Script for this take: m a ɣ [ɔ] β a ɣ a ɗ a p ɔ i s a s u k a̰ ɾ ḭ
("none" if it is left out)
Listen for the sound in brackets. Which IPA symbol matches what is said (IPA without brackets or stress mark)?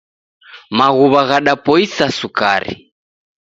u